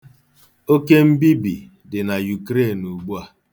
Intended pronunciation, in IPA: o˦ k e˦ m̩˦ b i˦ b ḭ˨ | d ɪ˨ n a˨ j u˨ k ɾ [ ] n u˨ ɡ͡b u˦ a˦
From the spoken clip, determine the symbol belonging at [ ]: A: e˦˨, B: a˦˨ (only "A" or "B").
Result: A